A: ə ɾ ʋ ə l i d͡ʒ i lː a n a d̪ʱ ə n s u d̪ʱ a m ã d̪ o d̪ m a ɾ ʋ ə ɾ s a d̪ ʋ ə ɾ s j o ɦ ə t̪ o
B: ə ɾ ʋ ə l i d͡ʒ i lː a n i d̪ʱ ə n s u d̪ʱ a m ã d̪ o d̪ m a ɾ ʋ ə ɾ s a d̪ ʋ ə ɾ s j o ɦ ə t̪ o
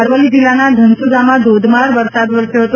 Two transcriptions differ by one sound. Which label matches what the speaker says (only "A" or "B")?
A